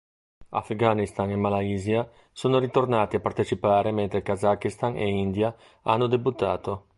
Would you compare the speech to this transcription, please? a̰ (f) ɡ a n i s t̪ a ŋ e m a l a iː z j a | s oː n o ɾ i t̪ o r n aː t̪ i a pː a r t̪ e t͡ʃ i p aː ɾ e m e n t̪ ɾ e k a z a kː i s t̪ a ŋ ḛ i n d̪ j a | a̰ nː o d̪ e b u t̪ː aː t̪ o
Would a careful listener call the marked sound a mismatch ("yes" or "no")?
no